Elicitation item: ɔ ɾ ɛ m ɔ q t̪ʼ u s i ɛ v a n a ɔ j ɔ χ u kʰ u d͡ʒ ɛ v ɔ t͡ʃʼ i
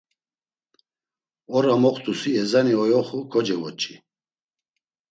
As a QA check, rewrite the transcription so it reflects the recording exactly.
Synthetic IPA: ɔ ɾ a m ɔ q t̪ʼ u s i ɛ z a n i ɔ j ɔ χ u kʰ ɔ d͡ʒ ɛ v ɔ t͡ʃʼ i